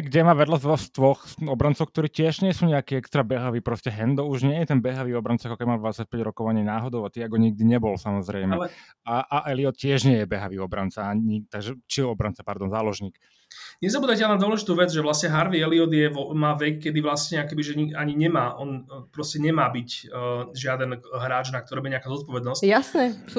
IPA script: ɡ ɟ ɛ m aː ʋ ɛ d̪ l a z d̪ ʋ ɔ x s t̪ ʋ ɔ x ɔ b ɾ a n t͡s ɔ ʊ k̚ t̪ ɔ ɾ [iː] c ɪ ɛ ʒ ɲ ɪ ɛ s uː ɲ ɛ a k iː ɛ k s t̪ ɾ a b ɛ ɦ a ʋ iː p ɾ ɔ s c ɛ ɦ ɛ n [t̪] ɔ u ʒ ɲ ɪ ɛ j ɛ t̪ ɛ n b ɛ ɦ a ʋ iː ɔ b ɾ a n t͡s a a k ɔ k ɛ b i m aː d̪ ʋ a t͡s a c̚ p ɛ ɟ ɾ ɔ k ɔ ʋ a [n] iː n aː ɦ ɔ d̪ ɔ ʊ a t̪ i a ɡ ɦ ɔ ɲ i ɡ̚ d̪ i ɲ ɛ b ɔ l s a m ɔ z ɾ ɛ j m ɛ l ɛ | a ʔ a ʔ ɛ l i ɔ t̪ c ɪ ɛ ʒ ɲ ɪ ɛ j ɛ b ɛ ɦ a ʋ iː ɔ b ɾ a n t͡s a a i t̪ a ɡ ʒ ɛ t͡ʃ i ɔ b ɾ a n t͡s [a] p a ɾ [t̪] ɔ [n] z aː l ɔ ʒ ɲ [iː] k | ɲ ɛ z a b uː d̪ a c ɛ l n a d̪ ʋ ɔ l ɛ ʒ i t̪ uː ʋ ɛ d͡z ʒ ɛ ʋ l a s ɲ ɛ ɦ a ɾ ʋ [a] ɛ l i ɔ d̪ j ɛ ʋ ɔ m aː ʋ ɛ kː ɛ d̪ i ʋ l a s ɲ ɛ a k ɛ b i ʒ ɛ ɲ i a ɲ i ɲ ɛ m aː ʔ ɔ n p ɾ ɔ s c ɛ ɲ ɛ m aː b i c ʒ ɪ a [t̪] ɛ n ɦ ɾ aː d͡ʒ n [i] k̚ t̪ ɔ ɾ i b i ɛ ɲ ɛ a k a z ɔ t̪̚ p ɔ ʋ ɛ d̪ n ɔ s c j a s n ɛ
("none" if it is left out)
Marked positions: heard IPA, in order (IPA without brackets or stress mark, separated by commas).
iː, d̪, ɲ, a, d̪, n, iː, i, d̪, a